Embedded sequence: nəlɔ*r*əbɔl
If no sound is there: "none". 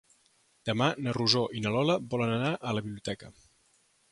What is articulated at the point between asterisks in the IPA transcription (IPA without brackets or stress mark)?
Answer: l